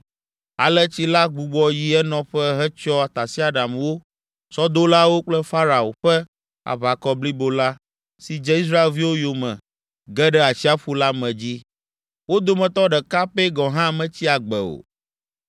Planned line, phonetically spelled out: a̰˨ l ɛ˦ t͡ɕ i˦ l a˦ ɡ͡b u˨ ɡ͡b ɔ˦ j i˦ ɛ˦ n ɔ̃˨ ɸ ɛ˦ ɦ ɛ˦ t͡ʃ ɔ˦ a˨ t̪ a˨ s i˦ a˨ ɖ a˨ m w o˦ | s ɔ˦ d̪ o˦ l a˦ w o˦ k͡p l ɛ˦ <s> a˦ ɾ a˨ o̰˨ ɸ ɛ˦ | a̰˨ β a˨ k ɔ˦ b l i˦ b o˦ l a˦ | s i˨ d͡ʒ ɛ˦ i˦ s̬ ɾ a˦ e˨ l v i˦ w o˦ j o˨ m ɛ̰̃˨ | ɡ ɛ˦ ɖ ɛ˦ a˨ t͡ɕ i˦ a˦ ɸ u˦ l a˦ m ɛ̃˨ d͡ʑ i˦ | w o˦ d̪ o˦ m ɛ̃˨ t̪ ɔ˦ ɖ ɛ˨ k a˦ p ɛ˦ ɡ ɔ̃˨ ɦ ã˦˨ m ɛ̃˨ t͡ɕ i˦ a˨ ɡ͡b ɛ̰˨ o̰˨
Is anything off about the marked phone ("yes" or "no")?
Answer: yes